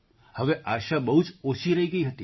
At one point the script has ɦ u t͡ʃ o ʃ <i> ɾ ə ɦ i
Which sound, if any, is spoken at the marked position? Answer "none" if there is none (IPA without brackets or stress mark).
i